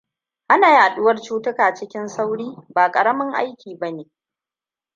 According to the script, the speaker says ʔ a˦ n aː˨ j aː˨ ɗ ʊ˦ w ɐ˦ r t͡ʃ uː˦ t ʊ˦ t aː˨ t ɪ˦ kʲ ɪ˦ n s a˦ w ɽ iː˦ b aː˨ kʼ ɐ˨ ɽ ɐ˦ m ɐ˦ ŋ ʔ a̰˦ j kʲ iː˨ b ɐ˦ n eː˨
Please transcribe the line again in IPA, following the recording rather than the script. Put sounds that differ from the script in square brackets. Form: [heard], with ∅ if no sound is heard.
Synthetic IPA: ʔ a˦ n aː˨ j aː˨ ɗ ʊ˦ w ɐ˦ r t͡ʃ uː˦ t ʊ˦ [k] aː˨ [t͡ʃ] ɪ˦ kʲ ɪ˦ n s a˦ w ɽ iː˦ b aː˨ kʼ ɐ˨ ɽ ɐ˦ m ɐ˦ ŋ ʔ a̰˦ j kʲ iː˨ b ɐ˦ n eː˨